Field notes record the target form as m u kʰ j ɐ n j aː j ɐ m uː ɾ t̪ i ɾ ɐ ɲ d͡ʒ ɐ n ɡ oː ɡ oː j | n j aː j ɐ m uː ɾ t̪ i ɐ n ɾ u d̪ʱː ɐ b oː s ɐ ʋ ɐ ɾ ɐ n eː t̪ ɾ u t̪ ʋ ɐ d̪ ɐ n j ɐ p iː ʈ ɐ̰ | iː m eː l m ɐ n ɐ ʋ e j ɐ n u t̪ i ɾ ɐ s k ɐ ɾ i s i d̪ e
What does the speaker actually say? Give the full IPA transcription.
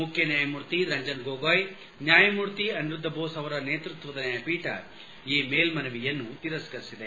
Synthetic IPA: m u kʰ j ɐ n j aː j ɐ m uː ɾ t̪ i ɾ ɐ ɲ d͡ʒ ɐ n ɡ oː ɡ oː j | n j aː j ɐ m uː ɾ t̪ i ɐ n ɾ u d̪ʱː ɐ b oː s ɐ ʋ ɐ ɾ ɐ n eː t̪ ɾ u t̪ ʋ ɐ d̪ ɐ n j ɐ p iː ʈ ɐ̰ | iː m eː l m ɐ n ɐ ʋ i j ɐ nː u t̪ i ɾ ɐ s k ɐ ɾ i s i d̪ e